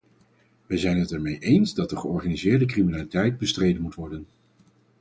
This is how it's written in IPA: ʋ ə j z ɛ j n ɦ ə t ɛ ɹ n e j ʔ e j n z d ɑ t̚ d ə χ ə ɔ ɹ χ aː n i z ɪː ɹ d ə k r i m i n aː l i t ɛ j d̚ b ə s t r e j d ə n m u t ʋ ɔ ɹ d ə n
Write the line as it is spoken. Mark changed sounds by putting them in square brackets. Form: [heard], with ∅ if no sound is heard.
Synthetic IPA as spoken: ʋ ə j z ɛ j n ɦ ə t ɛ ɹ [m] e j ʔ e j n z d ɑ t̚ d ə χ ə ɔ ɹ χ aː n i z ɪː ɹ d ə k r i m i n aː l i t ɛ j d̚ b ə s t r e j d ə n m u t ʋ ɔ ɹ d ə n